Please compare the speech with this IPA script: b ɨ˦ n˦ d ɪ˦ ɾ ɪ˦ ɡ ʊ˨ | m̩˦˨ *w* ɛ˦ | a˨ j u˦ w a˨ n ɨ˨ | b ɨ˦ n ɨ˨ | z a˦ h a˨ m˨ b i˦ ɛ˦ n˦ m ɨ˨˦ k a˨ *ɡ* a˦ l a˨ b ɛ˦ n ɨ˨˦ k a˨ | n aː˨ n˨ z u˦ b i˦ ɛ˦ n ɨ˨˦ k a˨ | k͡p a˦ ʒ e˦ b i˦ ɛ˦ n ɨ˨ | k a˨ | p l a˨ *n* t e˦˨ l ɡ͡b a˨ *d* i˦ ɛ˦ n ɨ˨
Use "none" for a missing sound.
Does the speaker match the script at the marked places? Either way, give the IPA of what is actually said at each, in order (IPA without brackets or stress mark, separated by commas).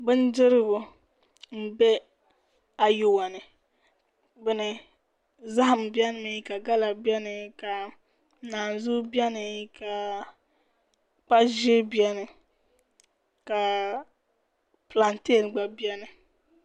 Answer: b, ɡ, n, b